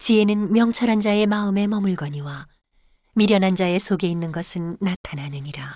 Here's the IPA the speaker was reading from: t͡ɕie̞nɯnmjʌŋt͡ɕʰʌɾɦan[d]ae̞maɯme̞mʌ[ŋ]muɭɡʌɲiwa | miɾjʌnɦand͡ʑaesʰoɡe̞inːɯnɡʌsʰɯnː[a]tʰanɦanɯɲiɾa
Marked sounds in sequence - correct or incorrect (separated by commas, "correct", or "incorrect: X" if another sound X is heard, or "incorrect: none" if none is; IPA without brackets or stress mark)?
incorrect: d͡ʑ, incorrect: none, correct